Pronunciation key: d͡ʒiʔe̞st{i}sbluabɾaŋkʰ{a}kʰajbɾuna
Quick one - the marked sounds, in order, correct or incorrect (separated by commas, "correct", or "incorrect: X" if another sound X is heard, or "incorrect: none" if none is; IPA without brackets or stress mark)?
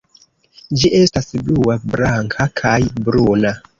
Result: incorrect: a, correct